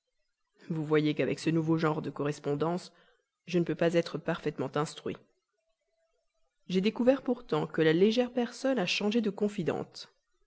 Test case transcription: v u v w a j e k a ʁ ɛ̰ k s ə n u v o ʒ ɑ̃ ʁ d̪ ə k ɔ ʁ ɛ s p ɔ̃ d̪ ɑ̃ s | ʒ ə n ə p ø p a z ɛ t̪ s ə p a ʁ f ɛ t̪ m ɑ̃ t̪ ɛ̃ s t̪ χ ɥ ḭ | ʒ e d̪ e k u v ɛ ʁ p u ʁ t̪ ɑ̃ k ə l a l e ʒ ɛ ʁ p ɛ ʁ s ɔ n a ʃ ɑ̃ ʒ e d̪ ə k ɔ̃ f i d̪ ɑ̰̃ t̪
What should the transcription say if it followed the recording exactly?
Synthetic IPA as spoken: v u v w a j e k a v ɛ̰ k s ə n u v o ʒ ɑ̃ ʁ d̪ ə k ɔ ʁ ɛ s p ɔ̃ d̪ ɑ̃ s | ʒ ə n ə p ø p a z ɛ t̪ χ ə p a ʁ f ɛ t̪ m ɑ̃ t̪ ɛ̃ s t̪ χ ɥ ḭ | ʒ e d̪ e k u v ɛ ʁ p u ʁ t̪ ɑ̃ k ə l a l e ʒ ɛ ʁ p ɛ ʁ s ɔ n a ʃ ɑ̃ ʒ e d̪ ə k ɔ̃ f i d̪ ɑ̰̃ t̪